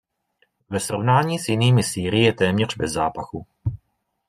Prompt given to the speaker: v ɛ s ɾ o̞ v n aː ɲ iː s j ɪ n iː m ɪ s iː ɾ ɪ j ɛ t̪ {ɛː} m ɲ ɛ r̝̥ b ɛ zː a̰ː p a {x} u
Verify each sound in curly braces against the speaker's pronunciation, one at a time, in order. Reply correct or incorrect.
correct, correct

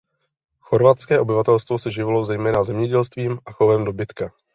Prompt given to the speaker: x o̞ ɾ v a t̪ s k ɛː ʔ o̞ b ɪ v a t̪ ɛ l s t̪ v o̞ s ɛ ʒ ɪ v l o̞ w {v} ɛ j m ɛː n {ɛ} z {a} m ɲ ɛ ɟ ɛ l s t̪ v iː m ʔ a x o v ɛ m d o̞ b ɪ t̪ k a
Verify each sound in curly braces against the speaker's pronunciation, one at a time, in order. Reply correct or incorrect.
incorrect: z, incorrect: a, incorrect: ɛ

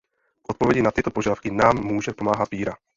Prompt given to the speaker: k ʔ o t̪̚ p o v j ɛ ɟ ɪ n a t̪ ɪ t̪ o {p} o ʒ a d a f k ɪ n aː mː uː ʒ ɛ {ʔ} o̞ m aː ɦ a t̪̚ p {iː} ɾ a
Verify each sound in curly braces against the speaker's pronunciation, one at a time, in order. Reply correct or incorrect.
correct, incorrect: p, correct

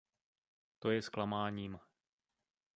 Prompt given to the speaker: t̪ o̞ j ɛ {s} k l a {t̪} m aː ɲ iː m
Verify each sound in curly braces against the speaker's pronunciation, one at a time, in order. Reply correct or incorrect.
correct, incorrect: none

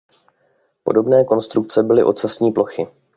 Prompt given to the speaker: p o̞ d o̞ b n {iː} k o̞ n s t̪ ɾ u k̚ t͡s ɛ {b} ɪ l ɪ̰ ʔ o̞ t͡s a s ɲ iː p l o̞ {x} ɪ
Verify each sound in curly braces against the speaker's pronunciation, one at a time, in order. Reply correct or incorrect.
incorrect: ɛː, correct, correct

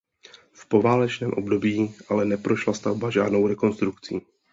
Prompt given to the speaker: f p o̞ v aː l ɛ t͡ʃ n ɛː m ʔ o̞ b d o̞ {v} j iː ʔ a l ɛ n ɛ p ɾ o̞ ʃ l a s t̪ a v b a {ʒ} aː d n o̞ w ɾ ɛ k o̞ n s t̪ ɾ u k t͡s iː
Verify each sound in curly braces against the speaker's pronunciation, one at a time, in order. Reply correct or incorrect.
incorrect: b, correct

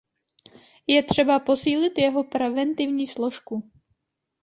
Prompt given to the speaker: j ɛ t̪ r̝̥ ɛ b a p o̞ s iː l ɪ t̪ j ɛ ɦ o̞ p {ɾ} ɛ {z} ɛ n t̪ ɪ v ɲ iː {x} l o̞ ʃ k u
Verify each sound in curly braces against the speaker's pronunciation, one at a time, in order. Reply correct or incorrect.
correct, incorrect: v, incorrect: s

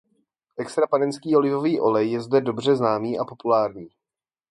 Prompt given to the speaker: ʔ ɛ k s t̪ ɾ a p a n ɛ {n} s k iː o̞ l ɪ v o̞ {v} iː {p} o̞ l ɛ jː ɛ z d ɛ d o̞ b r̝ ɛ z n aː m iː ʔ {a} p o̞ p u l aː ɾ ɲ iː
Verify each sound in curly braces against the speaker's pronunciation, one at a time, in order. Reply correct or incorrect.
correct, correct, incorrect: ʔ, correct

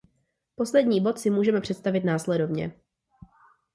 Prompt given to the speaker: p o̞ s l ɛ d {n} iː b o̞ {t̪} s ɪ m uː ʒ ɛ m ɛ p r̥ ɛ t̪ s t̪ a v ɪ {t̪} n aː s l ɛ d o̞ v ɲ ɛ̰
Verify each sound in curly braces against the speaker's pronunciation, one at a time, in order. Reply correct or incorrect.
incorrect: ɲ, correct, correct

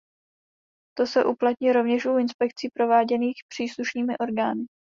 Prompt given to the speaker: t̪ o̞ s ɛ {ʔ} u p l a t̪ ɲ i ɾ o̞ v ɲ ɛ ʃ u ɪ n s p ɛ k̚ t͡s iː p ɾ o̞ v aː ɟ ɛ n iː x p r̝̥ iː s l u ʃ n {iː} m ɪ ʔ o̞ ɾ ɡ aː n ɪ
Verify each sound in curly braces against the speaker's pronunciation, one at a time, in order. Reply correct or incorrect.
correct, correct

